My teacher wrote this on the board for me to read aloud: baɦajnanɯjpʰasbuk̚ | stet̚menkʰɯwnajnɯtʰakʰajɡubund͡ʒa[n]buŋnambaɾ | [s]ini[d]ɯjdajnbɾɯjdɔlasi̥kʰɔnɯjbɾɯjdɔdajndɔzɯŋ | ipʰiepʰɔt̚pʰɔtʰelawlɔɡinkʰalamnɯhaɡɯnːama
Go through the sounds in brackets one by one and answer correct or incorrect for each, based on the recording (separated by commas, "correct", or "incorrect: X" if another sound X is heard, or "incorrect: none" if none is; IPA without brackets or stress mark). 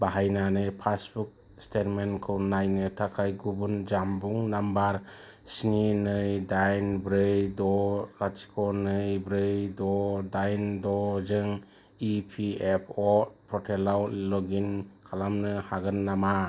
incorrect: m, correct, incorrect: n